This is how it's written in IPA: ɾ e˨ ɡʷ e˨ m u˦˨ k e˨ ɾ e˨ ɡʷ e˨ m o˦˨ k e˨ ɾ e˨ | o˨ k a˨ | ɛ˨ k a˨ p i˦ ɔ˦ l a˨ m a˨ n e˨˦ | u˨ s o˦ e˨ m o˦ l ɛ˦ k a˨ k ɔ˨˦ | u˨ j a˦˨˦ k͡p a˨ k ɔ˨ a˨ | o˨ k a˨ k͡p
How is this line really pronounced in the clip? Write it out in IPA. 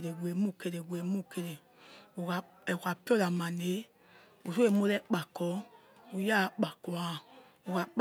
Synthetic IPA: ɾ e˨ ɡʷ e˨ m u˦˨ k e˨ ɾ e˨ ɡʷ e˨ m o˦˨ k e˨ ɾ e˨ | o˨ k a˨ | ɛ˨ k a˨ p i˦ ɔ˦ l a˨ m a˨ n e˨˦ | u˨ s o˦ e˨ m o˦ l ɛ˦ k͡p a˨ k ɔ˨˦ | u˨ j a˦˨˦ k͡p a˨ k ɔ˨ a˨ | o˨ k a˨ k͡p